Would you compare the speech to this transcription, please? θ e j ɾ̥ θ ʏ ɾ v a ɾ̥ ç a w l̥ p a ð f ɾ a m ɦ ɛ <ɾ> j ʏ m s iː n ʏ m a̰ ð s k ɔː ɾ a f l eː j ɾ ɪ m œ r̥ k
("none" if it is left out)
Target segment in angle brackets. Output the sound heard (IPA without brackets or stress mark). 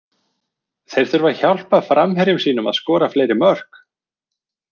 ɾ